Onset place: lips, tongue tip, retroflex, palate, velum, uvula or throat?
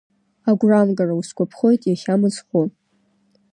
velum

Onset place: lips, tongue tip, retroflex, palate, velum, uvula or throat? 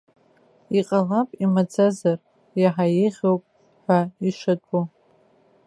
uvula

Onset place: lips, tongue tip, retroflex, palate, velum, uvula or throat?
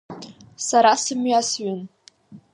tongue tip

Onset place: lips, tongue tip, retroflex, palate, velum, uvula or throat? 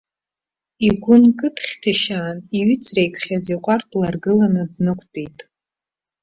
velum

